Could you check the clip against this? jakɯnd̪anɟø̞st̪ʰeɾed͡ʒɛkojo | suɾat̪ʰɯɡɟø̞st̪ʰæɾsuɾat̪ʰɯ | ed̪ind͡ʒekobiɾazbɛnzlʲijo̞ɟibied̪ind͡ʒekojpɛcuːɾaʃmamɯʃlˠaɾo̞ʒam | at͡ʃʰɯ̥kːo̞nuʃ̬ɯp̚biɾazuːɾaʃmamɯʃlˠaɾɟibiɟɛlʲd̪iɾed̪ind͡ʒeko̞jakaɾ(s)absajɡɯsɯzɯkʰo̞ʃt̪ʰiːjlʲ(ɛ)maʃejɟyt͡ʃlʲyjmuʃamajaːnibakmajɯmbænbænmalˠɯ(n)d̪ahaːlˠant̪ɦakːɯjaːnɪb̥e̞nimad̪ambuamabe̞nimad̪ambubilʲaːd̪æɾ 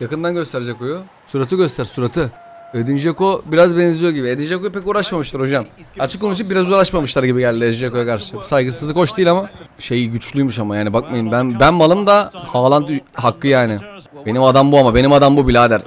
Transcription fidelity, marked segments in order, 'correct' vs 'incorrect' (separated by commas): incorrect, incorrect, incorrect